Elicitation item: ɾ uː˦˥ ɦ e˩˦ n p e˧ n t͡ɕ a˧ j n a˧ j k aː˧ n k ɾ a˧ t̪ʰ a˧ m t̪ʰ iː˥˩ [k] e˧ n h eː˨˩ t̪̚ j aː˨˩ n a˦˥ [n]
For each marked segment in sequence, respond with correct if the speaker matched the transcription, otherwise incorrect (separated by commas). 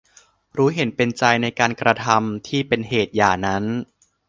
incorrect, correct